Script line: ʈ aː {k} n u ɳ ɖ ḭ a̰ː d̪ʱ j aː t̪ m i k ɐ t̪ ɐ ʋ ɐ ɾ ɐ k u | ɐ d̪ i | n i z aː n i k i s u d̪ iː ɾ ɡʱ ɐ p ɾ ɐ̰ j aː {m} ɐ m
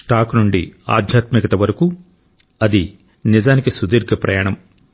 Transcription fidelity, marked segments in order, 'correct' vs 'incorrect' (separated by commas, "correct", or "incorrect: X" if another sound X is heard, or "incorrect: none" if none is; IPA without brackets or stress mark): correct, incorrect: ɳ